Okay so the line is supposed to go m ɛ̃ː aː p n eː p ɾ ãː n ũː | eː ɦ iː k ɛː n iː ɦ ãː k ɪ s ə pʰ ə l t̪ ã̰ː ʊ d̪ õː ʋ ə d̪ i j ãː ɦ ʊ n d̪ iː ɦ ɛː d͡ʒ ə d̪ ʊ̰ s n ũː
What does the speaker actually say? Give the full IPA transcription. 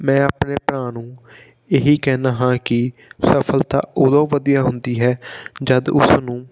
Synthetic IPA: m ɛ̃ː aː p n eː p ɾ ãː n ũː | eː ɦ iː k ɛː n aː ɦ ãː k ɪ s ə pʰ ə l t̪ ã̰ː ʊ d̪ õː ʋ ə d̪ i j aː ɦ ʊ n d̪ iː ɦ ɛː d͡ʒ ə d̪ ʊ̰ s n ũː